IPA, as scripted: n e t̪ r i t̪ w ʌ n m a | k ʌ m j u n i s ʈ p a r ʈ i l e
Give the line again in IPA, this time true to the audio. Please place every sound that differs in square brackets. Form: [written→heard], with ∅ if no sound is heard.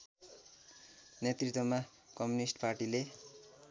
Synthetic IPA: n e t̪ r i t̪ w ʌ [n→∅] m a | k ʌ m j u n i s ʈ p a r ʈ i l e